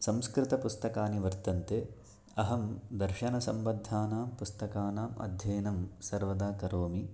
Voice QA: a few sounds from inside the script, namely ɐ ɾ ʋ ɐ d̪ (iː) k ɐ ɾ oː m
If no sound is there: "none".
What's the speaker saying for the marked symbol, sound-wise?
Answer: aː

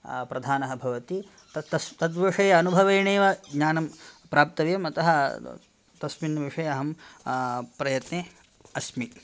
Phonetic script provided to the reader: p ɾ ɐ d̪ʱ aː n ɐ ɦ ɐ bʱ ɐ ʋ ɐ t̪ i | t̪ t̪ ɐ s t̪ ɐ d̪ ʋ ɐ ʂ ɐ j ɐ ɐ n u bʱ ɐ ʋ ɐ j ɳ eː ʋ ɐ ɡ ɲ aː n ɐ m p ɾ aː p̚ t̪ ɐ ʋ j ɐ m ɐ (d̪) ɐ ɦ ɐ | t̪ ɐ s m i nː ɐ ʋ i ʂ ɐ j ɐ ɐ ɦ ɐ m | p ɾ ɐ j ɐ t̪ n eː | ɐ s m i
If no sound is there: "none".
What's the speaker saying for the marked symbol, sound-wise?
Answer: t̪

